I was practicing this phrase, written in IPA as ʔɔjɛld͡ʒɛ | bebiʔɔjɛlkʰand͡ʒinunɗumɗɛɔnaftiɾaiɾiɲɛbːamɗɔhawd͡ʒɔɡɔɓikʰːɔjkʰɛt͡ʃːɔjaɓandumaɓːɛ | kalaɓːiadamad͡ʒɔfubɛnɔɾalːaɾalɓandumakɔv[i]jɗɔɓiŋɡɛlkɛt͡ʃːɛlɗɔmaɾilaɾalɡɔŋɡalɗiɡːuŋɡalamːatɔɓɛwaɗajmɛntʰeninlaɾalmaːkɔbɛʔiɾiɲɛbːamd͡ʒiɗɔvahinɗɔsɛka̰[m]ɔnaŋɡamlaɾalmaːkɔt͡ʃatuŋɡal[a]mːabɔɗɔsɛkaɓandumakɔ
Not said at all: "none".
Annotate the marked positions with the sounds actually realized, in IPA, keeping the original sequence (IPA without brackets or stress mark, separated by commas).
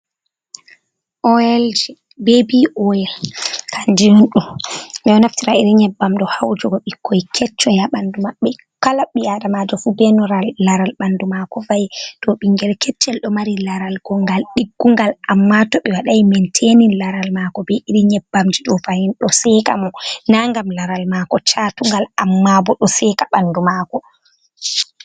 a, m, a